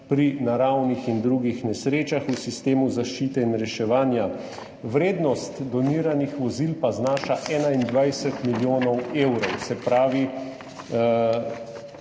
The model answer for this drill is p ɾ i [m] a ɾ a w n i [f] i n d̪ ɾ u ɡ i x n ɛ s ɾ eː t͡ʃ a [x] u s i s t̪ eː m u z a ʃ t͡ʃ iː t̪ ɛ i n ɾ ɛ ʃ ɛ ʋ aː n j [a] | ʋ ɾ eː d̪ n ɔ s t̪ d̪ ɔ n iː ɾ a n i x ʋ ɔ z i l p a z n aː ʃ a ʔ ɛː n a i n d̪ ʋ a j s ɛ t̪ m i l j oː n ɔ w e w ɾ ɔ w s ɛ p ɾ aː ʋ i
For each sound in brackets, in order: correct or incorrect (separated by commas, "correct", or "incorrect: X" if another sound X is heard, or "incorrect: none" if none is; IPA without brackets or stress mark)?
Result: incorrect: n, incorrect: x, correct, correct